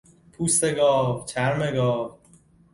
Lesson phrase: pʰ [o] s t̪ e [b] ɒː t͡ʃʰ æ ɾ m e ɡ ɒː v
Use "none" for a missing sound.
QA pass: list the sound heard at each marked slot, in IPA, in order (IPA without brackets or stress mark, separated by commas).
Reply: u, ɡ